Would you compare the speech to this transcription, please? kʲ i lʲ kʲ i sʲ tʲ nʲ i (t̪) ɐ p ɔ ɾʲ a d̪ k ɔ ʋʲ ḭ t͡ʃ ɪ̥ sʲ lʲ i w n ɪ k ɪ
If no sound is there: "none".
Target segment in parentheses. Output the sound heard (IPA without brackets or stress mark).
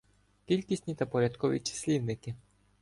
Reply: t̪